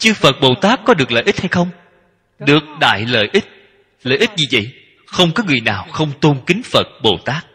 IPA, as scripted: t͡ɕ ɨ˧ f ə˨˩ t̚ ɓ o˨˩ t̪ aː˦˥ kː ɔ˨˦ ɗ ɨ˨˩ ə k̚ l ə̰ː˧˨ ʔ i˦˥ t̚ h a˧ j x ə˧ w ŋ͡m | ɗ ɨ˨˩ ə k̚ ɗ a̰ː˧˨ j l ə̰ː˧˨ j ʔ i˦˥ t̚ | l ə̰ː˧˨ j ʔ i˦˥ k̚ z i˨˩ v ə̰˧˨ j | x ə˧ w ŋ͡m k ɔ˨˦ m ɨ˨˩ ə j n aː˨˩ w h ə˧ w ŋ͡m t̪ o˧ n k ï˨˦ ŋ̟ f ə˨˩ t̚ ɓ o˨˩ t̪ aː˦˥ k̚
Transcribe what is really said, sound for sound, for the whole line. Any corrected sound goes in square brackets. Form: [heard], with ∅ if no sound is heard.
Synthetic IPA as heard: t͡ɕ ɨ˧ f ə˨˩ t̚ ɓ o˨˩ t̪ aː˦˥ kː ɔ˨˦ ɗ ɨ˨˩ ə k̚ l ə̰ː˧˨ ʔ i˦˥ t̚ h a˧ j x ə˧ w ŋ͡m | ɗ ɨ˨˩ ə k̚ ɗ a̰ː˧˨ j l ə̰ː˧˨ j ʔ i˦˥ t̚ | l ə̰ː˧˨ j ʔ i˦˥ [t̚] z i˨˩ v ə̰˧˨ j | x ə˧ w ŋ͡m k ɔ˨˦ [ŋ] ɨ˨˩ ə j n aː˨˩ w [x] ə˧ w ŋ͡m t̪ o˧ n k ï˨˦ ŋ̟ f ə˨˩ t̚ ɓ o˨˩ t̪ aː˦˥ k̚